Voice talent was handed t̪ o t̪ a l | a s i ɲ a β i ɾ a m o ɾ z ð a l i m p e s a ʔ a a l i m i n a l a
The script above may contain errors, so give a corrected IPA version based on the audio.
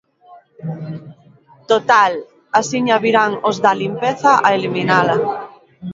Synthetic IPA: t̪ o t̪ a l | a s i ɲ a β i ɾ a ŋ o z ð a l i m p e θ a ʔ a e l i m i n a l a